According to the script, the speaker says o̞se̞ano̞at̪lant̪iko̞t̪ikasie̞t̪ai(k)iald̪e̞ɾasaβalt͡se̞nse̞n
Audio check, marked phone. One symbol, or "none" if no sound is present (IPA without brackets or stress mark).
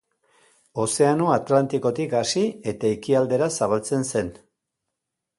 k